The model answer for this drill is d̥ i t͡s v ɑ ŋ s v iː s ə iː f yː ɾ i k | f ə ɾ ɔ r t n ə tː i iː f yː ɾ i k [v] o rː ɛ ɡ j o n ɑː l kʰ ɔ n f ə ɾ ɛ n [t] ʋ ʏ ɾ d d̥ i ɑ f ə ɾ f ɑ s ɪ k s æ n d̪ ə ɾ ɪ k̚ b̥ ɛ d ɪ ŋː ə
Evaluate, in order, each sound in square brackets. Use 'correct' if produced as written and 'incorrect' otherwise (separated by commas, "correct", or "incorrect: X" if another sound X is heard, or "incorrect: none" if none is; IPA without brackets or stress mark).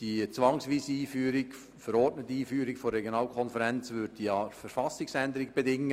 incorrect: f, incorrect: t͡s